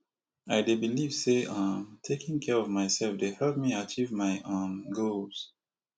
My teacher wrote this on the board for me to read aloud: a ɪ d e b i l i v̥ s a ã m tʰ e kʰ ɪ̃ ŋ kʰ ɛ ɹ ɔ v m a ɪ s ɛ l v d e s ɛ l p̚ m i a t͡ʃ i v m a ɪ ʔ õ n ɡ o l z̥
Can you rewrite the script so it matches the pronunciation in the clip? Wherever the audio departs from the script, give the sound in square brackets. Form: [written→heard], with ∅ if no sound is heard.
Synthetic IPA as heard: a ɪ d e b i l i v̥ s [a→e] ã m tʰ e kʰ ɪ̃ ŋ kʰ ɛ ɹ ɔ v m a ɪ s ɛ l [v→f] d e [s→h] ɛ l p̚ m i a t͡ʃ i v m a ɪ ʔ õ n ɡ o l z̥